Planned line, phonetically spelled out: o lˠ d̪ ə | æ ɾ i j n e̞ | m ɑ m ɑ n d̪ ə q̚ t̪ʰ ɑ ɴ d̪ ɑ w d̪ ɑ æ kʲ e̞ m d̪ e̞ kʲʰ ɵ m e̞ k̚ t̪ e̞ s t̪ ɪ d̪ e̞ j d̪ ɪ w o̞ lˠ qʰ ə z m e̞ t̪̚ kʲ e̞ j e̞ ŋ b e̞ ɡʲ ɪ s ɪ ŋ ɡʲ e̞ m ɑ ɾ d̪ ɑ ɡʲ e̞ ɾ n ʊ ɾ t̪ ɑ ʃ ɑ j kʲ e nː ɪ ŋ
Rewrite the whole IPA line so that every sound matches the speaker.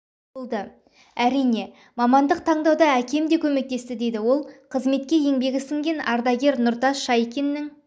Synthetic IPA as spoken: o lˠ d̪ ə | æ ɾ i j n e̞ | m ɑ m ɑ n d̪ ə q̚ t̪ʰ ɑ ɴ d̪ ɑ w d̪ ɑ æ kʲ e̞ m d̪ e̞ kʲʰ ɵ m e̞ k̚ t̪ e̞ s t̪ ɪ d̪ e̞ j d̪ ɪ w o̞ lˠ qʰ ə z m e̞ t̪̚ kʲ e̞ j e̞ ŋ b e̞ ɡʲ ɪ s ɪ ŋ ɡʲ e̞ n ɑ ɾ d̪ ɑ ɡʲ e̞ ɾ n ʊ ɾ t̪ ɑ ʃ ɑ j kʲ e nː ɪ ŋ